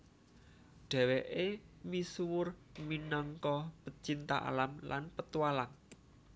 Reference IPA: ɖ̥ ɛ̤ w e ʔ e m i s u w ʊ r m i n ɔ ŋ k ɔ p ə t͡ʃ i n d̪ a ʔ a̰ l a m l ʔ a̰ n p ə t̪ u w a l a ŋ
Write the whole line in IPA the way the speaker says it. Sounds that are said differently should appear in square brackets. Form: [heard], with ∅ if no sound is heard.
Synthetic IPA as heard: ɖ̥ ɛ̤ w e ʔ e m i s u w ʊ r m i n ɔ ŋ k ɔ p ə t͡ʃ i n [t̪] a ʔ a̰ l a m l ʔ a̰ n p ə t̪ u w a l a ŋ